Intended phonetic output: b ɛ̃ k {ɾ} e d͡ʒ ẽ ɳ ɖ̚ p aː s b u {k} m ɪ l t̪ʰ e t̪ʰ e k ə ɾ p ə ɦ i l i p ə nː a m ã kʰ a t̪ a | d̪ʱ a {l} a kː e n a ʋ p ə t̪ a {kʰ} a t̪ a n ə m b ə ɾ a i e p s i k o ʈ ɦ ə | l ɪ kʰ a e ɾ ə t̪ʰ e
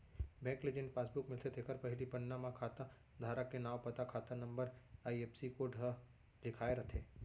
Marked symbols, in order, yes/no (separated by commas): no, yes, no, yes